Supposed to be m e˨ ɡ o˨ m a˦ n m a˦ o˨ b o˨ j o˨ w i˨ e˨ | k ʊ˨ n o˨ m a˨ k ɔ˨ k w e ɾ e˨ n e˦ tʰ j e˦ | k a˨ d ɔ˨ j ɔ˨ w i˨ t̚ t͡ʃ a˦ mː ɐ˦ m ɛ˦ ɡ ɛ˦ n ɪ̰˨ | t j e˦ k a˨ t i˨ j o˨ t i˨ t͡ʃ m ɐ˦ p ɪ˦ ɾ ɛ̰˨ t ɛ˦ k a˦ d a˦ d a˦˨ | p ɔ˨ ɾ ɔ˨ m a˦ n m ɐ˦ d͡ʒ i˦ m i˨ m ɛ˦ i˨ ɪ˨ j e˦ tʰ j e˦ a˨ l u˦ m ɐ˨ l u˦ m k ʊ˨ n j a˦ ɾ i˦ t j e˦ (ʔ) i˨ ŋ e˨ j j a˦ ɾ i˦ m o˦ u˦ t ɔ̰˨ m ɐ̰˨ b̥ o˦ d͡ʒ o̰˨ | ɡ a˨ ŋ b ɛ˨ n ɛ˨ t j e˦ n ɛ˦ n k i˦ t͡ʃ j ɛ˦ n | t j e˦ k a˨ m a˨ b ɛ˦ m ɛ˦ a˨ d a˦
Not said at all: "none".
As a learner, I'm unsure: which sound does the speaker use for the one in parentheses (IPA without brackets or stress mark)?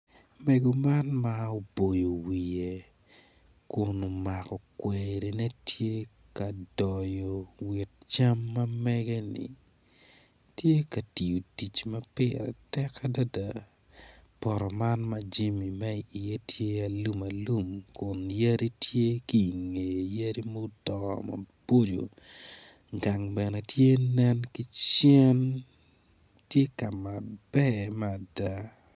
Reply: k